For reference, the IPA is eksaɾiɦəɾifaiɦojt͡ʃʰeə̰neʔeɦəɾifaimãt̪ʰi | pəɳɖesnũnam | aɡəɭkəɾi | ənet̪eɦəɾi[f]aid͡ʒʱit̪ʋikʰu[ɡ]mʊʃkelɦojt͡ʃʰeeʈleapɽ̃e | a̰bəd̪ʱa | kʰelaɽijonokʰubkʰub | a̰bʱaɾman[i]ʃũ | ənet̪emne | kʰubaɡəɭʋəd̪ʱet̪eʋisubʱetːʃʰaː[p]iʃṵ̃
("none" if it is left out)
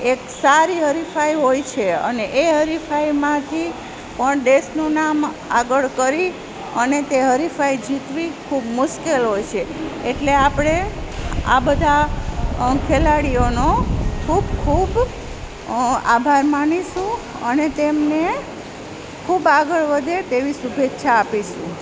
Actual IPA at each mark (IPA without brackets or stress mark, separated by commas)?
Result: f, b, i, p